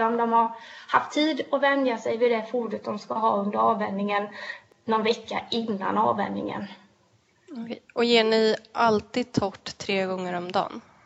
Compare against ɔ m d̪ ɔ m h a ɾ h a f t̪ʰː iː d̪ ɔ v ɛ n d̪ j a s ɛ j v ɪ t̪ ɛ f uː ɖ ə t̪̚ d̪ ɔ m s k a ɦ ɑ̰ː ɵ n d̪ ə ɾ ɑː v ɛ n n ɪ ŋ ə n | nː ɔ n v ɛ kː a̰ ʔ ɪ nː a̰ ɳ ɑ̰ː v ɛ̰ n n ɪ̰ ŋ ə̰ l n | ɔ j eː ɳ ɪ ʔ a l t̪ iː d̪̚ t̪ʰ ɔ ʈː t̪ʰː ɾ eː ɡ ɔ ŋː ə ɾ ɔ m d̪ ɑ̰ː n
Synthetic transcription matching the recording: ɔ m d̪ ɔ m h a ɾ h a f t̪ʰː iː d̪ ɔ v ɛ n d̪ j a s ɛ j v ɪ d̪ ɛ f uː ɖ ə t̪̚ d̪ ɔ m s k a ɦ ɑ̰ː ɵ n d̪ ə ɾ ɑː v ɛ n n ɪ ŋ ə n | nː ɔ n v ɛ kː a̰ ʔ ɪ nː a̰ n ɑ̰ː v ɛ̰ n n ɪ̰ ŋ ə̰ n | ɔ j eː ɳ ɪ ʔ a l t̪ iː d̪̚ t̪ʰ ɔ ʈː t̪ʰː ɾ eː ɡ ɔ ŋː ə ɾ ɔ m d̪ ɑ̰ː n